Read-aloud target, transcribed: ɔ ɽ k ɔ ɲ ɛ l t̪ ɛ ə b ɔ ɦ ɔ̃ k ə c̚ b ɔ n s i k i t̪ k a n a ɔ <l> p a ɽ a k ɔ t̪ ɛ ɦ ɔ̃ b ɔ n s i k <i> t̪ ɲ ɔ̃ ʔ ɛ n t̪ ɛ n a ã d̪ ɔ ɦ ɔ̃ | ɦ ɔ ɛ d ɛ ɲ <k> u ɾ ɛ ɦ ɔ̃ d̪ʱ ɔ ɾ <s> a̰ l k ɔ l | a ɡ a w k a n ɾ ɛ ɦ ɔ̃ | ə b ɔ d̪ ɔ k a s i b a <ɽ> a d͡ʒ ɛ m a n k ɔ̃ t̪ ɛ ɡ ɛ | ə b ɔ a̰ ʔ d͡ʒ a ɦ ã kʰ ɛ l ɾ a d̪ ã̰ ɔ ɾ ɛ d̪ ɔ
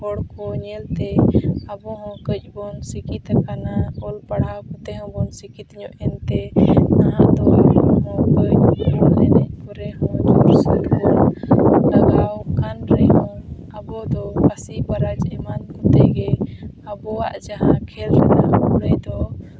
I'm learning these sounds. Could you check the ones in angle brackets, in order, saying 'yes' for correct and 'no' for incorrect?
yes, yes, no, yes, no

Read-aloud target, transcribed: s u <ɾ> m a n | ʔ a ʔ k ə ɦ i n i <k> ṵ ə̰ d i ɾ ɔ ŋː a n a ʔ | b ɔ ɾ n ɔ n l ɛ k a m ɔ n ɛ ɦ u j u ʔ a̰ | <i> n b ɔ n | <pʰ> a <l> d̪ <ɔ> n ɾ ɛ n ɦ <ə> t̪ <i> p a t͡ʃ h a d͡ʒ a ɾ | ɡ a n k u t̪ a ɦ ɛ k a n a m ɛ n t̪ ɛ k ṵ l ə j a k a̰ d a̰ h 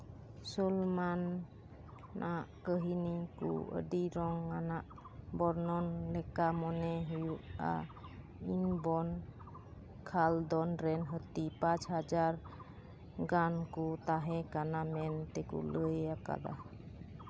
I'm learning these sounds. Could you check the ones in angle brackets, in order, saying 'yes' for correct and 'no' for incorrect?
no, yes, yes, no, yes, yes, yes, yes

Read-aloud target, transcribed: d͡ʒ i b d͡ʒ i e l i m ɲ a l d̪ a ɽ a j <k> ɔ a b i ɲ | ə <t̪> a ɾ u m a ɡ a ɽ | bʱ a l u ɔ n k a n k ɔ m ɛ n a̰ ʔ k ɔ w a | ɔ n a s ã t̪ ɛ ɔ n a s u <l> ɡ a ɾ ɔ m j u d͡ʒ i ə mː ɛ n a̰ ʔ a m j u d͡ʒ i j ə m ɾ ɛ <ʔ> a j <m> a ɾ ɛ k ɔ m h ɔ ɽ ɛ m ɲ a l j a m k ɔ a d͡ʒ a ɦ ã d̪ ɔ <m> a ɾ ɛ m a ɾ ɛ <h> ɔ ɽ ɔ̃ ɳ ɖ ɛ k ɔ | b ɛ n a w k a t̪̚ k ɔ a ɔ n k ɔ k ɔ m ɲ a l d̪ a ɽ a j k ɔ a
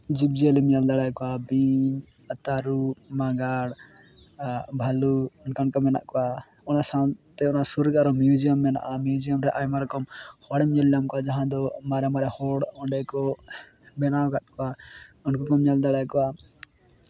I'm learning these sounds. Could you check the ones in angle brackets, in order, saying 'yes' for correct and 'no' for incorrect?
yes, yes, no, yes, yes, yes, yes

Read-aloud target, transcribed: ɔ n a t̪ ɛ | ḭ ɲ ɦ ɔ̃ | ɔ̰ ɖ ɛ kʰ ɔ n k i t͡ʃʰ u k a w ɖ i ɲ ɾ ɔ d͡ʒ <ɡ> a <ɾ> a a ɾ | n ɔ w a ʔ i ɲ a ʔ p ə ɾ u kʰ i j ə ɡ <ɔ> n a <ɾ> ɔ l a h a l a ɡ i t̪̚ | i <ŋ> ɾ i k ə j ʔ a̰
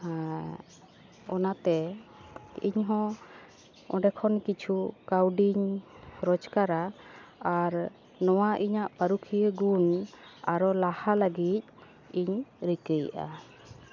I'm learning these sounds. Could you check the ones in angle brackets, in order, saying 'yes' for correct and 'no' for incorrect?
no, yes, no, yes, no

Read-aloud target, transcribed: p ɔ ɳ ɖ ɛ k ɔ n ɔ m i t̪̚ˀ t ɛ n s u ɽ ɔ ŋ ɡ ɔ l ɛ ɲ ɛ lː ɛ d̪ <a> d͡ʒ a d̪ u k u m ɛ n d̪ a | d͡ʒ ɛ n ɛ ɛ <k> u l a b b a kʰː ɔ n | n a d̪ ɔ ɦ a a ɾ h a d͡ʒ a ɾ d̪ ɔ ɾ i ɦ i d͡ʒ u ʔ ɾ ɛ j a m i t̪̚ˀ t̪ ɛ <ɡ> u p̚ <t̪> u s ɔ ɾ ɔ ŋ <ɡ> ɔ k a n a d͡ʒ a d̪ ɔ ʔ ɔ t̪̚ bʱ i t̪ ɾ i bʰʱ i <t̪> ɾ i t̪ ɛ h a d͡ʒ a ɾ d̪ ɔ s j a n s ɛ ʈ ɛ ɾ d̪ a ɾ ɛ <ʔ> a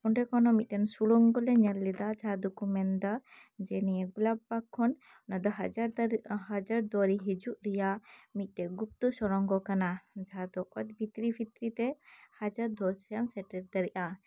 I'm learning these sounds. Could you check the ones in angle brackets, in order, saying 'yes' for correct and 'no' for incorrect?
yes, no, yes, yes, yes, yes, yes

